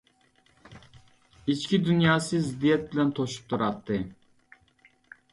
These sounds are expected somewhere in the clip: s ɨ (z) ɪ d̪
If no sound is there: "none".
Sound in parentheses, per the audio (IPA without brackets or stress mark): z